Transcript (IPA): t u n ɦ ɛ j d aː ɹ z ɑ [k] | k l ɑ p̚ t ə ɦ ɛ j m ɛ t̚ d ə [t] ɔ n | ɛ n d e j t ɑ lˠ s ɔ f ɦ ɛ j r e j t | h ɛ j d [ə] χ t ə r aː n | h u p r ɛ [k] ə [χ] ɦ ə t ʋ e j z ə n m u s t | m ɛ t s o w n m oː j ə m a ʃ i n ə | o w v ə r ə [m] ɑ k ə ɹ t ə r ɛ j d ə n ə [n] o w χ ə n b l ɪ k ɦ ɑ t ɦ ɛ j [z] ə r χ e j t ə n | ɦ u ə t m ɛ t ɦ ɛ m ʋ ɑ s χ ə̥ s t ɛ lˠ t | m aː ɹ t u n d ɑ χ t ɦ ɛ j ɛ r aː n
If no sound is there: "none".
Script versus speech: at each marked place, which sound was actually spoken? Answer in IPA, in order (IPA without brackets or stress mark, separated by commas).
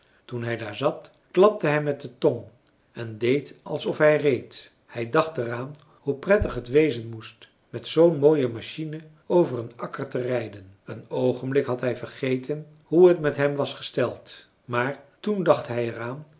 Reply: t, t, ɑ, t, χ, n, n, v